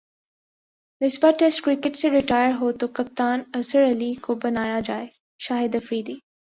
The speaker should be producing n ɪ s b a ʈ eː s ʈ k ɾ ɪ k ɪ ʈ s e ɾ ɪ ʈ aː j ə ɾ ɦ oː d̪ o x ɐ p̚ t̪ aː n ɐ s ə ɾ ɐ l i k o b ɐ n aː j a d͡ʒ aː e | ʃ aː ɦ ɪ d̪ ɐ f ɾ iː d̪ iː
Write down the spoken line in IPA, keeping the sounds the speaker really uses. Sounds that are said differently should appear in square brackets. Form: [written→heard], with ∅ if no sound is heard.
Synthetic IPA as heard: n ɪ s b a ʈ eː s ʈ k ɾ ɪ k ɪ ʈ s e ɾ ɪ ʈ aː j ə ɾ ɦ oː [d̪→t̪] o [x→k] ɐ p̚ t̪ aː n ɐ s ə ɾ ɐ l i k o b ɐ n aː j a d͡ʒ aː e | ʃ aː ɦ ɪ d̪ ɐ f ɾ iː d̪ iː